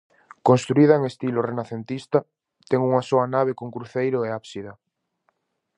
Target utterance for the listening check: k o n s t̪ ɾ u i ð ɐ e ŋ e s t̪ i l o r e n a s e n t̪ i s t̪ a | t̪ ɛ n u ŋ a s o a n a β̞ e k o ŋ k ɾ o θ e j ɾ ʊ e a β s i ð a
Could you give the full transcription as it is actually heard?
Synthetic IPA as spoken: k o n s t̪ ɾ u i ð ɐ e ŋ e s t̪ i l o r e n a θ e n t̪ i s t̪ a | t̪ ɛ ŋ u ŋ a s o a n a β̞ e k o ŋ k ɾ u θ e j ɾ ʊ e a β s i ð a